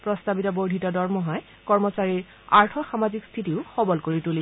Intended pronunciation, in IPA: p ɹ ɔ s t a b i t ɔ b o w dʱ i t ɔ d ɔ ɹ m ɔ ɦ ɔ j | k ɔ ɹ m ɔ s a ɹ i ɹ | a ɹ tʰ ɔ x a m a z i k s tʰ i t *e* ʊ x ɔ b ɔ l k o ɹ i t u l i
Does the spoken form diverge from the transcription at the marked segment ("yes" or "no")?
yes